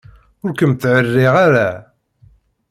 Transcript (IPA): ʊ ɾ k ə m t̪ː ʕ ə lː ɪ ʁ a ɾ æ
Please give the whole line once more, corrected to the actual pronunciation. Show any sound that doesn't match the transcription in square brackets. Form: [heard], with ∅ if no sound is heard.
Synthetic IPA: ʊ ɾ k ə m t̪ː ʕ ə [rː] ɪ ʁ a ɾ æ